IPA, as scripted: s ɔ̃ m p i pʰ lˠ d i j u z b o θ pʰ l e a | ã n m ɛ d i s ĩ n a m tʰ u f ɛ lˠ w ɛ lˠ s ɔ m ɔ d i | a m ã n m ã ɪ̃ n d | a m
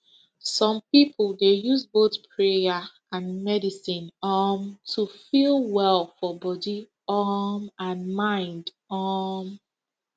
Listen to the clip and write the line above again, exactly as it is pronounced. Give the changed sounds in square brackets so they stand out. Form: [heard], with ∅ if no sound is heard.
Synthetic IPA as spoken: s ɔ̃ m p i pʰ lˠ d [e] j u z b o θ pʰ [ɹ] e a | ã n m ɛ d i s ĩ n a m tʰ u f [i] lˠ w ɛ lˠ [f] ɔ [b] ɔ d i | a m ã n m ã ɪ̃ n d | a m